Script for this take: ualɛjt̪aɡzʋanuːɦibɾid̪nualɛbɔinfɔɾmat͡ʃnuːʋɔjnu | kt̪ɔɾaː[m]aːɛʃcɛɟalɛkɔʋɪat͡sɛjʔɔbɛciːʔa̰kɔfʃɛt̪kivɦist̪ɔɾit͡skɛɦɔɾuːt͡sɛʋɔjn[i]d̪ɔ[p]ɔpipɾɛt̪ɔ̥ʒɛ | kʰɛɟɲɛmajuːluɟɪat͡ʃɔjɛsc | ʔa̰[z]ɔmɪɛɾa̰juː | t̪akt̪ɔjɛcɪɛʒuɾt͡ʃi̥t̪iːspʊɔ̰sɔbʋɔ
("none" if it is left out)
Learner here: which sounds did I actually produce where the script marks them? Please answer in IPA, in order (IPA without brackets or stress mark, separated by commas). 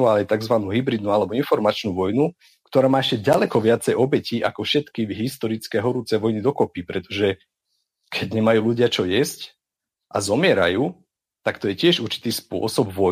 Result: m, i, k, z